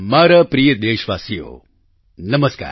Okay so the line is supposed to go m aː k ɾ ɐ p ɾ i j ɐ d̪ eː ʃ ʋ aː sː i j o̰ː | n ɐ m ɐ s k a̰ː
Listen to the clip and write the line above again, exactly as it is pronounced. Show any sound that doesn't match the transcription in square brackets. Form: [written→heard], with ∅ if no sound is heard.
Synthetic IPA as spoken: m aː [k→∅] ɾ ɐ p ɾ i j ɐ d̪ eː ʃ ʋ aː [sː→s] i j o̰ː | n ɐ m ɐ s k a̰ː